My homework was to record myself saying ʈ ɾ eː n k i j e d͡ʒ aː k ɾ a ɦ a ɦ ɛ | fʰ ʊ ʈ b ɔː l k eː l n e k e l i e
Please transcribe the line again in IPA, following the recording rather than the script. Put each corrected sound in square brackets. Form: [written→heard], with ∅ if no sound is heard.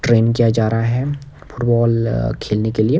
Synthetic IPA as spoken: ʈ ɾ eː n k i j [e→a] d͡ʒ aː [k→∅] ɾ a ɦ a ɦ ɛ | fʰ ʊ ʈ b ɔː l [k→kʰ] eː l n e k e l i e